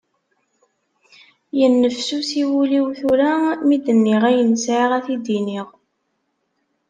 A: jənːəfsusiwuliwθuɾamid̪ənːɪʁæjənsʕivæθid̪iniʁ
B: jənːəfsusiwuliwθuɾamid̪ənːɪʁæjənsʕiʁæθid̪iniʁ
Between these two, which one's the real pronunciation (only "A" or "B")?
B